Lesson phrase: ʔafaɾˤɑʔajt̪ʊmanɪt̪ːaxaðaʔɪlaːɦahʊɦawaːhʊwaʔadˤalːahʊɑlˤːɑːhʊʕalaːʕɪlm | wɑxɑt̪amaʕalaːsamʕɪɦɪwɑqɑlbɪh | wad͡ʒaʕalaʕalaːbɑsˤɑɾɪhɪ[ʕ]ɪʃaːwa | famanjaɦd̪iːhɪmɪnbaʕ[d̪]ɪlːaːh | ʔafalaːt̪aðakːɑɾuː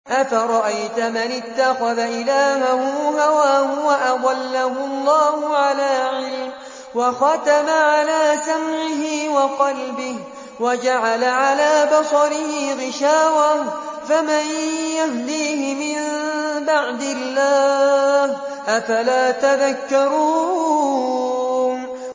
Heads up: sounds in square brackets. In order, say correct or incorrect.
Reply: incorrect, correct

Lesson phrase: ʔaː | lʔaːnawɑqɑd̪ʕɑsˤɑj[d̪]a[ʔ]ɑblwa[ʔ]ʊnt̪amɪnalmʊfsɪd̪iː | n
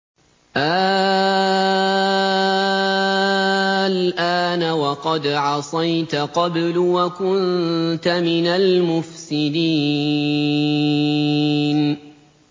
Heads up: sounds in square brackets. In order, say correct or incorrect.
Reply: incorrect, incorrect, incorrect

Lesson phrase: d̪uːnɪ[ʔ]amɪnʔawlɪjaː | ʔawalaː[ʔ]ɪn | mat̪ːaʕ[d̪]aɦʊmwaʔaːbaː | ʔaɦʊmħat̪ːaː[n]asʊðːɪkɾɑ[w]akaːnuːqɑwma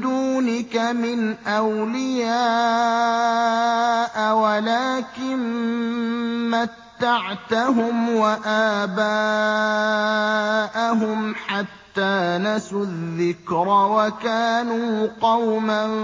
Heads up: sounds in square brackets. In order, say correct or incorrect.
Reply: incorrect, incorrect, incorrect, correct, correct

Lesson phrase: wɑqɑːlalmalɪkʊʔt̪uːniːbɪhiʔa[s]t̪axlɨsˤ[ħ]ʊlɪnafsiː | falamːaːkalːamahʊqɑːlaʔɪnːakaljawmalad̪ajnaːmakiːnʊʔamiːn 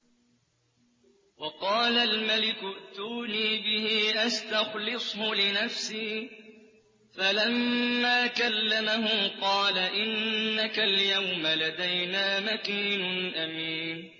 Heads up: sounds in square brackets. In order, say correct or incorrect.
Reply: correct, incorrect

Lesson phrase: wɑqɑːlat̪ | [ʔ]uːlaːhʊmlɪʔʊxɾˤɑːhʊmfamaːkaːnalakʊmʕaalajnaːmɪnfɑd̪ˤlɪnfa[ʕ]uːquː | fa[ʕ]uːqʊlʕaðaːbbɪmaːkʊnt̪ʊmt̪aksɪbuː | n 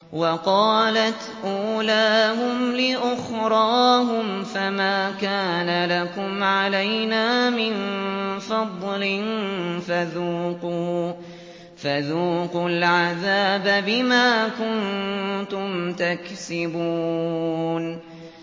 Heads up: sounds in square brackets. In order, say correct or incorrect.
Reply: correct, incorrect, incorrect

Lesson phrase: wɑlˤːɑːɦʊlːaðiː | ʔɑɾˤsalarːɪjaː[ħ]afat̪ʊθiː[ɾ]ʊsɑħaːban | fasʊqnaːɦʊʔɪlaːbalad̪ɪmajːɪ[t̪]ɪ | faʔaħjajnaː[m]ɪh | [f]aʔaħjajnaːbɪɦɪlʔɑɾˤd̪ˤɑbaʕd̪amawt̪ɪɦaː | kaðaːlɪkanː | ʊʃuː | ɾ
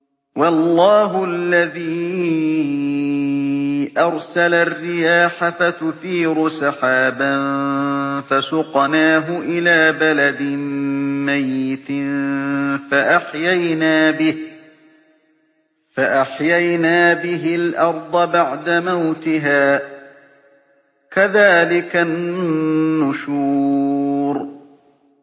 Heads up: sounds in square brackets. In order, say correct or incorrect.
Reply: correct, correct, correct, incorrect, correct

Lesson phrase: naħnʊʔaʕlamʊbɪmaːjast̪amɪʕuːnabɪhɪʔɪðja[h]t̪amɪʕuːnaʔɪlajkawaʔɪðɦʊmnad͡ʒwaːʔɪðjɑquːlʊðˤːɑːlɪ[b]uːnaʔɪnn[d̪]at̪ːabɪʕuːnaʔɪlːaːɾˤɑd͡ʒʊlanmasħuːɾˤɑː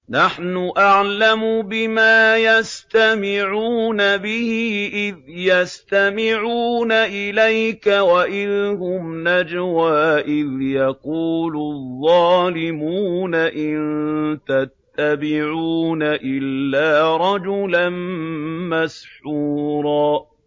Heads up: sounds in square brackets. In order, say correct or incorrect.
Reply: incorrect, incorrect, incorrect

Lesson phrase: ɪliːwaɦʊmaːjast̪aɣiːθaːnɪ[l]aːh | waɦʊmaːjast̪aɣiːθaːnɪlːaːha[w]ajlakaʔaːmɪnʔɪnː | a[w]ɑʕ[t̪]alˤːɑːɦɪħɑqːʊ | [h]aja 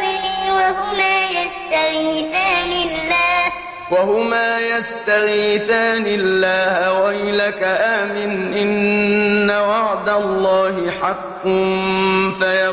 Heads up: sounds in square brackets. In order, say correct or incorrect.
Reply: incorrect, correct, correct, incorrect, incorrect

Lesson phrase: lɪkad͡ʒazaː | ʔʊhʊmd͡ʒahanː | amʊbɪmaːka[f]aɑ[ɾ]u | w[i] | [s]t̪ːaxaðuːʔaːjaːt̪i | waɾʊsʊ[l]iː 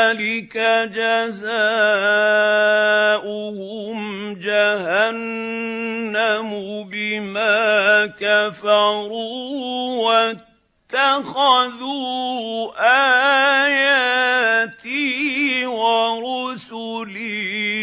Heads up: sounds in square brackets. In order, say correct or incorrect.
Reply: correct, correct, incorrect, incorrect, correct

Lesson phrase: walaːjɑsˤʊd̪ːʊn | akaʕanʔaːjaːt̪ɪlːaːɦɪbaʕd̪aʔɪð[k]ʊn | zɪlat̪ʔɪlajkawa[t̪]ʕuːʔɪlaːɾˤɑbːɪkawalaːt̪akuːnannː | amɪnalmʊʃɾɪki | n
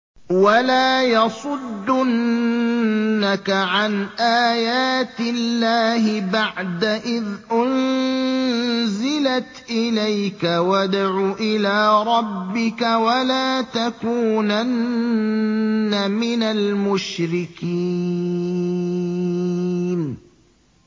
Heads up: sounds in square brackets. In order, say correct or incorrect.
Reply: incorrect, incorrect

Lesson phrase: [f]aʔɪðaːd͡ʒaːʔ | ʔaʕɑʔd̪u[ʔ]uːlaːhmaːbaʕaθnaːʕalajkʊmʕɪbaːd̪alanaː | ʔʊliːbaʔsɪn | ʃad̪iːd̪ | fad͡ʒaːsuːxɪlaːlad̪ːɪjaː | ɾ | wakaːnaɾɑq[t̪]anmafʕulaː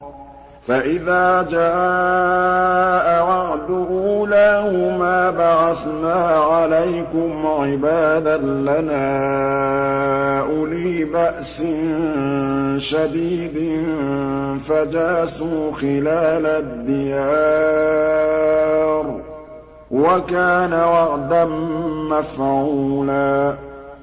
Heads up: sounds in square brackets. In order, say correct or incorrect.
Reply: correct, correct, incorrect

